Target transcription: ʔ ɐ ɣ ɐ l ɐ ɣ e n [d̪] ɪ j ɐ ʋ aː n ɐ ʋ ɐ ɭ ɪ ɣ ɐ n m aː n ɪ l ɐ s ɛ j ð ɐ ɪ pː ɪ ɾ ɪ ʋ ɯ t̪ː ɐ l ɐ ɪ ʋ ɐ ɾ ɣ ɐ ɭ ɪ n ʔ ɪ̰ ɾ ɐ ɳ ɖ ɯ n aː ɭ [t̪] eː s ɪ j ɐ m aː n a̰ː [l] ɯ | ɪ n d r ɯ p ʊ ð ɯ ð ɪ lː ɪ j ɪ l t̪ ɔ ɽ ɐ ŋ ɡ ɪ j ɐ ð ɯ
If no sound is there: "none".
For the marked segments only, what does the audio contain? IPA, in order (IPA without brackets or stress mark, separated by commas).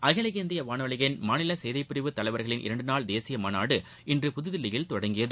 d̪, d̪, ɽ